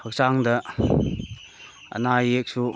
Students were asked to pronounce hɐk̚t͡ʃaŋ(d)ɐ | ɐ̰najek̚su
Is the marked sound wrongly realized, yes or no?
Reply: no